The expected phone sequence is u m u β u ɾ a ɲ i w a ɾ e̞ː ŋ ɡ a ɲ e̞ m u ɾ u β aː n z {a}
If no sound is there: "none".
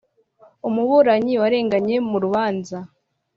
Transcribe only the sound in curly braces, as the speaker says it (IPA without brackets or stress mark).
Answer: a